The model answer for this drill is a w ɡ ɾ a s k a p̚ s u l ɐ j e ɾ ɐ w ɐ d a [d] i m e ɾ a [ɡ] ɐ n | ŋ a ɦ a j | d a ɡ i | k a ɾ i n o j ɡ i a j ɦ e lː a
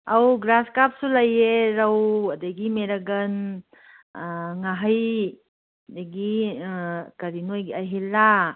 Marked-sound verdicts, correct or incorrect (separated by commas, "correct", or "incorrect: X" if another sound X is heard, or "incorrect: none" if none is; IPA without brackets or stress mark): incorrect: ɡ, correct